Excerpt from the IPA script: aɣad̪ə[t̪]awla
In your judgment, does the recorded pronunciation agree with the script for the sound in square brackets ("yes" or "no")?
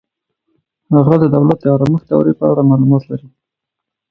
no